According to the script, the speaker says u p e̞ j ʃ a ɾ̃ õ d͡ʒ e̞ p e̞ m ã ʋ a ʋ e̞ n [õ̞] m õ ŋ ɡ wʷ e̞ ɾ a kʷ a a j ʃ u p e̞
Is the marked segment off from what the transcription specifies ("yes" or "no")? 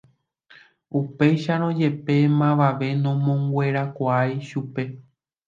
no